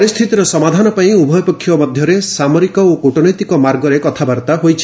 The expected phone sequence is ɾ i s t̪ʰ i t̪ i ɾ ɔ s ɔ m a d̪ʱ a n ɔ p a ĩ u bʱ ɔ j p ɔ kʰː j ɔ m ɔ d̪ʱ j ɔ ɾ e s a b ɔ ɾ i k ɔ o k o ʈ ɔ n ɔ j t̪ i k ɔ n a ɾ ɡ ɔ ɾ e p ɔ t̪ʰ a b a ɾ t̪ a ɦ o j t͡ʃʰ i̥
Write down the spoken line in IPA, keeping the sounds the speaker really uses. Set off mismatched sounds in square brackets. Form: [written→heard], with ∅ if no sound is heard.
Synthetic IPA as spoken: ɾ i s t̪ʰ i t̪ i ɾ ɔ s ɔ m a d̪ʱ a n ɔ p a ĩ u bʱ ɔ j p ɔ kʰː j ɔ m ɔ d̪ʱ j ɔ ɾ e s a [b→m] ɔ ɾ i k ɔ o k o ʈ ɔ n ɔ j t̪ i k ɔ [n→m] a ɾ ɡ ɔ ɾ e [p→k] ɔ t̪ʰ a b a ɾ t̪ a ɦ o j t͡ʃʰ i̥